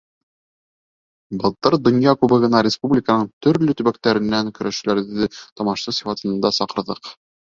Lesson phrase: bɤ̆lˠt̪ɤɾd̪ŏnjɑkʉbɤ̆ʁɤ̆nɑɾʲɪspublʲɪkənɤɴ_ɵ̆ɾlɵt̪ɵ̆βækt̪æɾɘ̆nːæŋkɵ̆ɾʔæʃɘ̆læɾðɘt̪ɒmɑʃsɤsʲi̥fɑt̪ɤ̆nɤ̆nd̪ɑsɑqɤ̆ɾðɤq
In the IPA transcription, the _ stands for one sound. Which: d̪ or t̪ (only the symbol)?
t̪